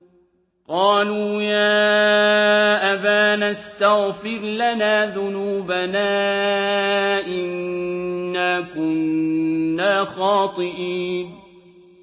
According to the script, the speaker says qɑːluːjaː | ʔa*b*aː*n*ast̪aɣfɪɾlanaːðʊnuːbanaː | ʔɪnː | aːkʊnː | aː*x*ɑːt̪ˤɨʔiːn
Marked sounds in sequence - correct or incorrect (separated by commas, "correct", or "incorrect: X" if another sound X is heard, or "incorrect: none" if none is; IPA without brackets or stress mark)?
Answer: correct, correct, correct